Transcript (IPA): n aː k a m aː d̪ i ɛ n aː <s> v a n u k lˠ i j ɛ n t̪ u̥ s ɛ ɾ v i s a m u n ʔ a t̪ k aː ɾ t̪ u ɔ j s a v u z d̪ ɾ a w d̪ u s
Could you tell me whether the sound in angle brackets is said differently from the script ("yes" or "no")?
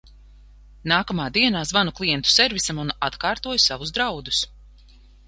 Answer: yes